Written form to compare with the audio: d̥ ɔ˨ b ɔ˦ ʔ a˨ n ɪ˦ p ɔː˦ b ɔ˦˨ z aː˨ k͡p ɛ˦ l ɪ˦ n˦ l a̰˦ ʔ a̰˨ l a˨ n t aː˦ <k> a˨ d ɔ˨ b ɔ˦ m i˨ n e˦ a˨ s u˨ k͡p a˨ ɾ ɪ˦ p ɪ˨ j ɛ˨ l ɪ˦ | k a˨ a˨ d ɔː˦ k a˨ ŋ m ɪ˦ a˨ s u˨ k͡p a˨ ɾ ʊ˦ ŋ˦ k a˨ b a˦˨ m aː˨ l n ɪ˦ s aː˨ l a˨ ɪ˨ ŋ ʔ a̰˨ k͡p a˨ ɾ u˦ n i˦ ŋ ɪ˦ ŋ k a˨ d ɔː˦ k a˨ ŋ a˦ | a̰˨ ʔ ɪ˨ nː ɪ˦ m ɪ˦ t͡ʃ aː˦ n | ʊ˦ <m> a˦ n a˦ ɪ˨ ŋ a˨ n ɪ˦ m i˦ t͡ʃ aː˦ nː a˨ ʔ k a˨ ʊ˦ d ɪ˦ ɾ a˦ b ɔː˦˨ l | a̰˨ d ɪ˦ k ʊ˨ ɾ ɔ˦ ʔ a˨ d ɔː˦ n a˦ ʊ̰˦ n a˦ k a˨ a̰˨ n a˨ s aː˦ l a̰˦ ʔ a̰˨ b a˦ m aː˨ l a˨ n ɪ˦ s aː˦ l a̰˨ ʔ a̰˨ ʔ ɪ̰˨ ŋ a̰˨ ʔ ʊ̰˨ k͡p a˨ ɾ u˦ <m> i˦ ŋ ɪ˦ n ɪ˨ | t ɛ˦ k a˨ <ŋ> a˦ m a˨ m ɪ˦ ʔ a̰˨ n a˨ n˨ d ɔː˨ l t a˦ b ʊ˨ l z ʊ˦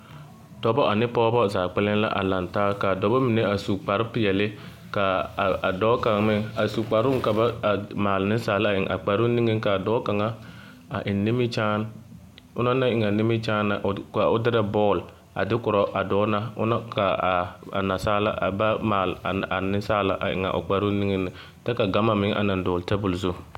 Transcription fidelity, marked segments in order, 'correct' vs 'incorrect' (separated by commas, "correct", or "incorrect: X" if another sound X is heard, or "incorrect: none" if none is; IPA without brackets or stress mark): correct, incorrect: n, incorrect: n, incorrect: ɡ